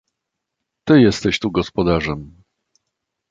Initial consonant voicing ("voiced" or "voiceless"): voiceless